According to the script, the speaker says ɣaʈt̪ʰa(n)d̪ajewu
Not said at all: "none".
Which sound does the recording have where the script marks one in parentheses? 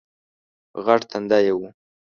n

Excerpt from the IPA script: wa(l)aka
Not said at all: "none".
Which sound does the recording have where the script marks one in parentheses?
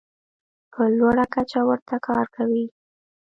ɽ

